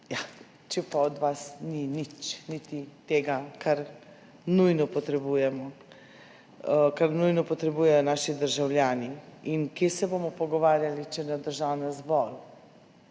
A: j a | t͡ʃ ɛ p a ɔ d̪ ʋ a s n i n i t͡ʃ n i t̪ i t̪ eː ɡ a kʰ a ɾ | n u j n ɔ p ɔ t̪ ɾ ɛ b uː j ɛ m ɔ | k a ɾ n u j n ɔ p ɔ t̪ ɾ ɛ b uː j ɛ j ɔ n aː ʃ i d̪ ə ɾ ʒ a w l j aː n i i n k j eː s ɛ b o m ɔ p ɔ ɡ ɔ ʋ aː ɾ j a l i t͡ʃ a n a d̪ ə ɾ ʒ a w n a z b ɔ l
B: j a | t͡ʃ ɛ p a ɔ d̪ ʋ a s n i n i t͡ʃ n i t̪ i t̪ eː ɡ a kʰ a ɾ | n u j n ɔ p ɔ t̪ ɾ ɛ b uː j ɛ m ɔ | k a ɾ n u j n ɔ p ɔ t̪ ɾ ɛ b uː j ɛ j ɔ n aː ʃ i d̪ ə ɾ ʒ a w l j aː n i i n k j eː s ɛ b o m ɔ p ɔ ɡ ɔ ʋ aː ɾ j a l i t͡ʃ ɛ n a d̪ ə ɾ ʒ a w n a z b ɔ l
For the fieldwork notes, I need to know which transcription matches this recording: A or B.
B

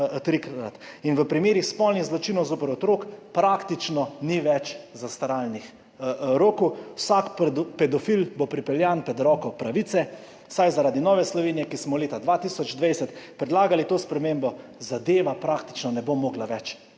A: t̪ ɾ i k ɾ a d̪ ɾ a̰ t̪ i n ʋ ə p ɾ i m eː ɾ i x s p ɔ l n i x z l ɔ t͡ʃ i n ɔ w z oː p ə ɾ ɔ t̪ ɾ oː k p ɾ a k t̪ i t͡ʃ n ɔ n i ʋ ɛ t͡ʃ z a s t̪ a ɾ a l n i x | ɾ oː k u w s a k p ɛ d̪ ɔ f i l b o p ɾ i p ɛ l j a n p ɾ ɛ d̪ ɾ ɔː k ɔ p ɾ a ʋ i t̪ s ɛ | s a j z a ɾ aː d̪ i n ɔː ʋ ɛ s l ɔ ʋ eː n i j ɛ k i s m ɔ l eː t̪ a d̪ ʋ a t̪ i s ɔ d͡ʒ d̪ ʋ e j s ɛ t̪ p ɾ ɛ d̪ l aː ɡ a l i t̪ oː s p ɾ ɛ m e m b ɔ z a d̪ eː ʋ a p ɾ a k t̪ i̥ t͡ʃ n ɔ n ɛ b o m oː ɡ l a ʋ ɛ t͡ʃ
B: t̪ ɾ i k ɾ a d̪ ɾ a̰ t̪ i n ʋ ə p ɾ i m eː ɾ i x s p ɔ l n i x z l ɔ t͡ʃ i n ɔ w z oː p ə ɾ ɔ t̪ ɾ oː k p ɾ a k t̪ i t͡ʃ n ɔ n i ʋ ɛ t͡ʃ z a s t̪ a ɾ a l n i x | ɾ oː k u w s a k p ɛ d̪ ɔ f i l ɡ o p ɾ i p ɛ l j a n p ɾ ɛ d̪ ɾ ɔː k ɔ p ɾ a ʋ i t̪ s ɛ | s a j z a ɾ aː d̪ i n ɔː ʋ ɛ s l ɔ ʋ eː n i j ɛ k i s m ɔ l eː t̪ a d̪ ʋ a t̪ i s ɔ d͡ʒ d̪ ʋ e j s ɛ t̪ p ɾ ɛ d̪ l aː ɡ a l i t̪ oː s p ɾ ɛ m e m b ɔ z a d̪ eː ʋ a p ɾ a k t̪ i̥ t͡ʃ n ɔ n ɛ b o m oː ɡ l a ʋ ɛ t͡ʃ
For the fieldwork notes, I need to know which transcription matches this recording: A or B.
A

